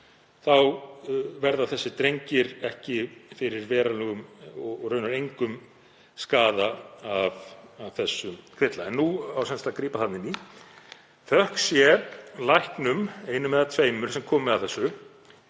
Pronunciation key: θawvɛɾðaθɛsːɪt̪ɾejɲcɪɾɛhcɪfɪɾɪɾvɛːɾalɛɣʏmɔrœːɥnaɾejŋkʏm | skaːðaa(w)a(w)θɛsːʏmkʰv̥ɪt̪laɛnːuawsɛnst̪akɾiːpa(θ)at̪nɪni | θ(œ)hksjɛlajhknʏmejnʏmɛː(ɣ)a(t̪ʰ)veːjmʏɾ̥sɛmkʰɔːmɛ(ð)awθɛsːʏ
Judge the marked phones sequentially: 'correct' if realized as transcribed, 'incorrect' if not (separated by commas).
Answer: incorrect, incorrect, correct, correct, incorrect, correct, correct